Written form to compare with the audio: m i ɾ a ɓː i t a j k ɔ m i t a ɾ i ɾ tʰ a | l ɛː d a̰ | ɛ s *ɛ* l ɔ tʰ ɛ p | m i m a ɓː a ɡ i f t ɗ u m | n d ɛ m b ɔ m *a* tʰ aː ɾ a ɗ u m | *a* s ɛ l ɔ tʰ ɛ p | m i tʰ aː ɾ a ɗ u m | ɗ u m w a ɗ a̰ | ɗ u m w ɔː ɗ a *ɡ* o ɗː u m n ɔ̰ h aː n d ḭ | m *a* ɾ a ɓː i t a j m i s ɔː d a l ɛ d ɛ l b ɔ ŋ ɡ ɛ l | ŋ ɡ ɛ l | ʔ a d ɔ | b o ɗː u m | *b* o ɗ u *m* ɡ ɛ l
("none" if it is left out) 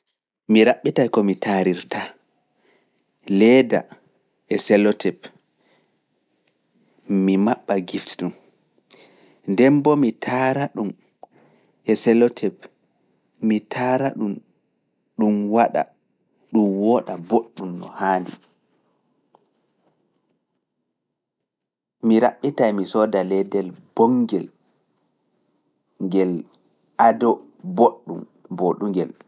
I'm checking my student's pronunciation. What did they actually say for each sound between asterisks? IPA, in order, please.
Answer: ɛ, i, ɛ, b, i, b, ŋ

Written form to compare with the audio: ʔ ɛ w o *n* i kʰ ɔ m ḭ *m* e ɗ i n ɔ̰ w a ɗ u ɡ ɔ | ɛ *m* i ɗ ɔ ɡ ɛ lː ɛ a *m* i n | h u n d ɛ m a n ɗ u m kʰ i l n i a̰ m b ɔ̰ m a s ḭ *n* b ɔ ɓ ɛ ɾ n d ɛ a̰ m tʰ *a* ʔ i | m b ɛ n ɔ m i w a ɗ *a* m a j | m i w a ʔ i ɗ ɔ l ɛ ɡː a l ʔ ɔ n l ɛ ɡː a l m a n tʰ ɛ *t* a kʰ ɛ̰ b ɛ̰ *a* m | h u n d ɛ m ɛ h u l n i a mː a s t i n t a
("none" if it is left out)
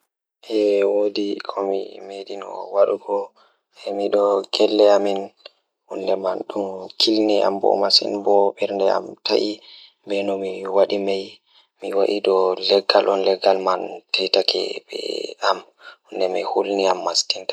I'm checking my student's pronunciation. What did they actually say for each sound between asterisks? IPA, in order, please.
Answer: d, m, m, m, n, a, i, t, a

